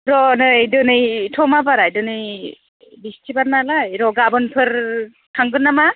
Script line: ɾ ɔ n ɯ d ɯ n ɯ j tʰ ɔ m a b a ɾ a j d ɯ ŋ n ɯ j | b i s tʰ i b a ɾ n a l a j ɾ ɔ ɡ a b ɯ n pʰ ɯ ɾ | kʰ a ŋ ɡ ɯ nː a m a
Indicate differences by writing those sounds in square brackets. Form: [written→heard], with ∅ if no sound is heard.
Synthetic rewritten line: ɾ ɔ n ɯ d ɯ n ɯ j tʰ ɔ m a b a ɾ a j d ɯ [ŋ→∅] n ɯ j | b i s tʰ i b a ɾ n a l a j ɾ ɔ ɡ a b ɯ n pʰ ɯ ɾ | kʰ a ŋ ɡ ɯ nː a m a